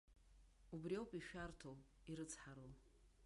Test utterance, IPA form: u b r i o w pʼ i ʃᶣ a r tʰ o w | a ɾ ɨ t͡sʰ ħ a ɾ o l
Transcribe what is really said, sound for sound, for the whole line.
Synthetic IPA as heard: u b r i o w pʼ i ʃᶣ a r tʰ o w | i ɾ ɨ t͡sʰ ħ a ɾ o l